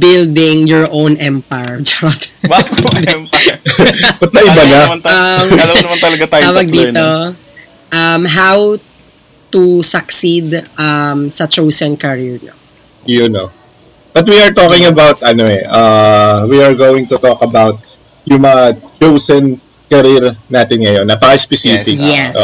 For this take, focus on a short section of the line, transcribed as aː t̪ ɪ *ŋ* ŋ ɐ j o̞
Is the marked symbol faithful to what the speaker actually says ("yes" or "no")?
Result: no